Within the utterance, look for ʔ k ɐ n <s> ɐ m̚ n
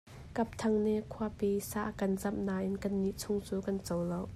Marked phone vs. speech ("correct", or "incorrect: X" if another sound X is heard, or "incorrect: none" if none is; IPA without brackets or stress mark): incorrect: z